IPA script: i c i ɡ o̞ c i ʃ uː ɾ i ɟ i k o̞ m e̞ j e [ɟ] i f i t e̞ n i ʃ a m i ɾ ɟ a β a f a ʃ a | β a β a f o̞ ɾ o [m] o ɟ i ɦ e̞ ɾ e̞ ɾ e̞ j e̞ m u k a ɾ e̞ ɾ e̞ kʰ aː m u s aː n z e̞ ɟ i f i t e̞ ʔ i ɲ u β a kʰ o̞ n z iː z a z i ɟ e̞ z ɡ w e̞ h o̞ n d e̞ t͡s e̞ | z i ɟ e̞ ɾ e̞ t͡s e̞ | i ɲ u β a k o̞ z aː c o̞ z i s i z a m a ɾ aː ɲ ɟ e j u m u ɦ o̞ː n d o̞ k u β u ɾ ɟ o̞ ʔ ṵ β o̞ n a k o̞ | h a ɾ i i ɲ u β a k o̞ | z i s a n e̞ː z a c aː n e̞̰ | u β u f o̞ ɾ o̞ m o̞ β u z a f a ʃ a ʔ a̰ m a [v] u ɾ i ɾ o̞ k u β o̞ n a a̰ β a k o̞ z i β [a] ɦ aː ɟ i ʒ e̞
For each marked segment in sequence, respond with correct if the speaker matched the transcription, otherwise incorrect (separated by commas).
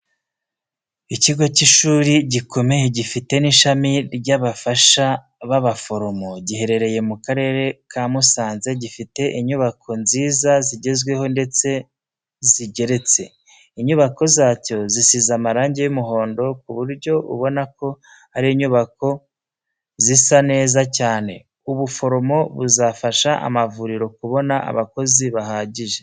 correct, correct, correct, correct